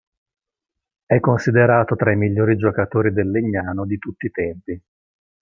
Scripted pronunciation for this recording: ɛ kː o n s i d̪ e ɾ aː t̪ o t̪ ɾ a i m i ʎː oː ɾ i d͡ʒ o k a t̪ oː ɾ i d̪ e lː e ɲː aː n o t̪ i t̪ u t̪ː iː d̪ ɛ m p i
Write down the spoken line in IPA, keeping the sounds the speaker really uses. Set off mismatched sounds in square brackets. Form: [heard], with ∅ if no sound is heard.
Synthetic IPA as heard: ɛ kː o n s i d̪ e ɾ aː t̪ o t̪ ɾ a i m i ʎː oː ɾ i d͡ʒ o k a t̪ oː ɾ i d̪ e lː e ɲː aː n o [d̪] i t̪ u t̪ː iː [t̪] ɛ m p i

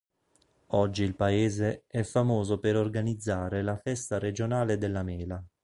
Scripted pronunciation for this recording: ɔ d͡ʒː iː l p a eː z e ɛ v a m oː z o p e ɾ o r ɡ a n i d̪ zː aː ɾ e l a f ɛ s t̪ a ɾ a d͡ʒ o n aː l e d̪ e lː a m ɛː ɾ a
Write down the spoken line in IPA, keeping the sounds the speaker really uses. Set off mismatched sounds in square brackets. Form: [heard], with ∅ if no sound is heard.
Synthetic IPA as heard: ɔ d͡ʒː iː l p a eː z e ɛ [f] a m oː z o p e ɾ o r ɡ a n i d̪ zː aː ɾ e l a f ɛ s t̪ a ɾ [e] d͡ʒ o n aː l e d̪ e lː a m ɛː [l] a

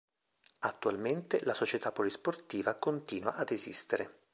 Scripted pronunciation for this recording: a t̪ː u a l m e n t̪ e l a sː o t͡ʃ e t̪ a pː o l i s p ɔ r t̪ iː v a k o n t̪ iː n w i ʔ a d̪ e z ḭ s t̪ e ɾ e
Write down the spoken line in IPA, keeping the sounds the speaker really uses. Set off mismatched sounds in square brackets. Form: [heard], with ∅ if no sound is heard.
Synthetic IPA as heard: a t̪ː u a l m e n t̪ e l a [s] o t͡ʃ e t̪ a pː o l i s p [o] r t̪ iː v a k o n t̪ iː n w [a] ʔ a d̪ e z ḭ s t̪ e ɾ e

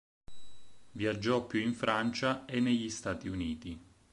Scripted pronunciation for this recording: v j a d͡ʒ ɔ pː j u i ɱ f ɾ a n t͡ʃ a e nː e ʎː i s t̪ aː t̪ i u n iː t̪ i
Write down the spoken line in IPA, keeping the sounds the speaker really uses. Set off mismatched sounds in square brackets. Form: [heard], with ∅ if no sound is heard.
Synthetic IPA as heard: v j a [d͡ʒː] ɔ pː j u i ɱ f ɾ a n t͡ʃ a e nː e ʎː i s t̪ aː t̪ i u n iː t̪ i

